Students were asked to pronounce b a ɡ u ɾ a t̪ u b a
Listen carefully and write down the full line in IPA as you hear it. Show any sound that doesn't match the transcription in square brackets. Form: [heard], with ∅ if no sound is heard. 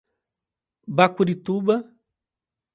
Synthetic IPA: b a [k] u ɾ [i] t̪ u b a